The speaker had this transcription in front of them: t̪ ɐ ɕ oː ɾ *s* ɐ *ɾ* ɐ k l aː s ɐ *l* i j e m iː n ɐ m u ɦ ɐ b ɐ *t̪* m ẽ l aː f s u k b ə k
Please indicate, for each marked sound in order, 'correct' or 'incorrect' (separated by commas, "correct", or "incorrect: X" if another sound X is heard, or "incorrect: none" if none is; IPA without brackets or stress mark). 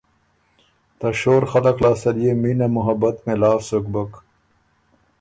incorrect: x, incorrect: l, correct, correct